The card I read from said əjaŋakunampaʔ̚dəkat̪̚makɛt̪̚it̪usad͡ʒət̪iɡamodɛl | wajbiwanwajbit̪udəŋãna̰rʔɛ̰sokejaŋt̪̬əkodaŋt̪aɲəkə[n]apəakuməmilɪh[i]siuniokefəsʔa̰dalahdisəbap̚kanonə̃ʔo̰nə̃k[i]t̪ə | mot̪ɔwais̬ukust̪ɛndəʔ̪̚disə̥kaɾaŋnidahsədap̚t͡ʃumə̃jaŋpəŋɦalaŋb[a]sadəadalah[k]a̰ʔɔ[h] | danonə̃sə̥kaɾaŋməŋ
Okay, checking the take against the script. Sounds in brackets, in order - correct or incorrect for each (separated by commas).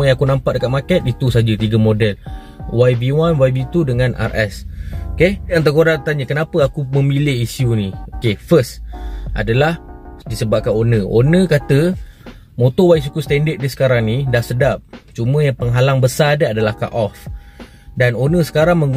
correct, correct, incorrect, incorrect, correct, incorrect